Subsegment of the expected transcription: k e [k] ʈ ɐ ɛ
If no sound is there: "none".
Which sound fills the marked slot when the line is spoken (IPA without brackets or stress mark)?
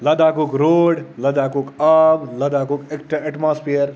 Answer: k